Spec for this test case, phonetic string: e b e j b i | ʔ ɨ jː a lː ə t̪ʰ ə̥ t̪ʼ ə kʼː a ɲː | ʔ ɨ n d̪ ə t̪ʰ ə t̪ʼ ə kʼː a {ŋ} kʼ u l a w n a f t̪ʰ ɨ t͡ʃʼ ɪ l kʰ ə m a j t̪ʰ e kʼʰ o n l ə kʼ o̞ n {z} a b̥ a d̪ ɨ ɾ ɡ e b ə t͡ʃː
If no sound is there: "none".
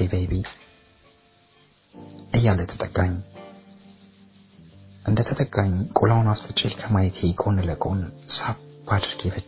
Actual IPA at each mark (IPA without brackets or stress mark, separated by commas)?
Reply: ɲ, s